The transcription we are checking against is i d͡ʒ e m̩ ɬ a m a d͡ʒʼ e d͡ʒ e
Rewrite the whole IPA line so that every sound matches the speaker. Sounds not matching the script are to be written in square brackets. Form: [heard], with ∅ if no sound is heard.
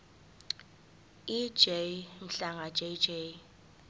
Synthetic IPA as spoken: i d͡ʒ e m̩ ɬ a [ŋ] a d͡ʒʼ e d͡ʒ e